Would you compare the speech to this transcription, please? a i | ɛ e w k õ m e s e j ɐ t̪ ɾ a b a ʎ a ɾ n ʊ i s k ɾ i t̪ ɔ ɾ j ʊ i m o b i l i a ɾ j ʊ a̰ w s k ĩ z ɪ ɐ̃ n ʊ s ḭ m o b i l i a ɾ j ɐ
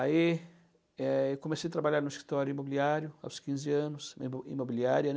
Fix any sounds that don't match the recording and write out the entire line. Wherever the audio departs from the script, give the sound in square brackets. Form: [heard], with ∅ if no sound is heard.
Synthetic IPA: a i | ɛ e w k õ m e s e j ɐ t̪ ɾ a b a ʎ a ɾ n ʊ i s k ɾ i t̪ ɔ ɾ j ʊ i m o b i l i a ɾ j ʊ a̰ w s k ĩ z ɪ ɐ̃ n ʊ s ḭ m o b i l i a ɾ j ɐ